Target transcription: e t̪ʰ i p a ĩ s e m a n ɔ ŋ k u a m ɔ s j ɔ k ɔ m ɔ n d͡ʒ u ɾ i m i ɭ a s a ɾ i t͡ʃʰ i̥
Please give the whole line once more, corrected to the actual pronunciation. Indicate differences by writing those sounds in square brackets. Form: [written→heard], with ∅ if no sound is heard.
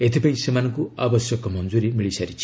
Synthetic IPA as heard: e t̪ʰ i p a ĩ s e m a n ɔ ŋ k u a [m→b] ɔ s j ɔ k ɔ m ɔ n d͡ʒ u ɾ i m i ɭ [a→i] s a ɾ i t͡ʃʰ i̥

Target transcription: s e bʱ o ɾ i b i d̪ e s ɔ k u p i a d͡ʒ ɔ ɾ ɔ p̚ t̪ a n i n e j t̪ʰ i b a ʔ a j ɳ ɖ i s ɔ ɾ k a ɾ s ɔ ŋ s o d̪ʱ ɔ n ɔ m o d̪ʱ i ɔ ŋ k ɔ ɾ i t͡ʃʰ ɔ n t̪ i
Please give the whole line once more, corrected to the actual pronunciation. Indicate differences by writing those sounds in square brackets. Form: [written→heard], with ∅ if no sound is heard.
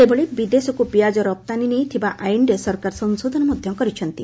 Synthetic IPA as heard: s e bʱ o [ɾ→ɭ] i b i d̪ e s ɔ k u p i a d͡ʒ ɔ ɾ ɔ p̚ t̪ a n i n e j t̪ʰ i b a ʔ a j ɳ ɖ [i→e] s ɔ ɾ k a ɾ s ɔ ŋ s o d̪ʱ ɔ n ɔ m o d̪ʱ [i→j] ɔ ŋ k ɔ ɾ i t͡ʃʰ ɔ n t̪ i

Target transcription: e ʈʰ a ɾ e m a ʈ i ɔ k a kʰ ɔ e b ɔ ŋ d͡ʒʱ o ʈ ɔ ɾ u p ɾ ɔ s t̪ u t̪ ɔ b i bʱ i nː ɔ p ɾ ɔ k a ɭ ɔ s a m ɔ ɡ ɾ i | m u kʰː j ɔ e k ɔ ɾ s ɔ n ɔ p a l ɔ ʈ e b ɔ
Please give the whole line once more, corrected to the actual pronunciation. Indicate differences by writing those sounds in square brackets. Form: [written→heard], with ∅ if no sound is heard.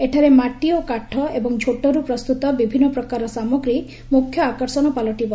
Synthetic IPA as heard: e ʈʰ a ɾ e m a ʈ i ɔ k a [kʰ→ʈʰ] ɔ e b ɔ ŋ d͡ʒʱ o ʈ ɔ ɾ u p ɾ ɔ s t̪ u t̪ ɔ b i bʱ i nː ɔ p ɾ ɔ k a [ɭ→ɾ] ɔ s a m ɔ ɡ ɾ i | m u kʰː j ɔ [e→a] k ɔ ɾ s ɔ n ɔ p a l ɔ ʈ [e→i] b ɔ

